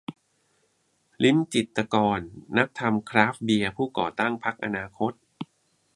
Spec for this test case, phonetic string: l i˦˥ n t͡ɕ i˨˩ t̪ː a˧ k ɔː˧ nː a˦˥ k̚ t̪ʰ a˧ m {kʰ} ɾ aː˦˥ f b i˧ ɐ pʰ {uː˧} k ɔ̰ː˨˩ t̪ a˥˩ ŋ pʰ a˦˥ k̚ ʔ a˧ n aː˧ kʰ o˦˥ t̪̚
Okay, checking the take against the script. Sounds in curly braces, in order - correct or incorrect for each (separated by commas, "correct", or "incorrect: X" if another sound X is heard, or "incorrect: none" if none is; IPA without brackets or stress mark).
correct, incorrect: uː˥˩